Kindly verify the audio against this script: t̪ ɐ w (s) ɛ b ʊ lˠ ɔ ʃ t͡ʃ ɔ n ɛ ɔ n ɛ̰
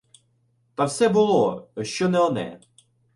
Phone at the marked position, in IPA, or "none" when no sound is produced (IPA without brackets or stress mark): s